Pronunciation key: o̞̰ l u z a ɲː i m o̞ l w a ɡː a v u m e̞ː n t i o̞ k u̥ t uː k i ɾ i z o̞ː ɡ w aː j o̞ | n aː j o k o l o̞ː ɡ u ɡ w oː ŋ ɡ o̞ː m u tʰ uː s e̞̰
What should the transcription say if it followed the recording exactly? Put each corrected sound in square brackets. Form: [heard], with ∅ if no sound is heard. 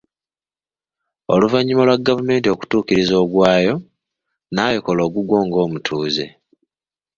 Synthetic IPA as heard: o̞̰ l u [v] a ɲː i m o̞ l w a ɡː a v u m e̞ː n t i o̞ k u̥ t uː k i ɾ i z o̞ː ɡ w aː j o̞ | n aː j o k o l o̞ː ɡ u ɡ w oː ŋ ɡ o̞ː m u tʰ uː [z] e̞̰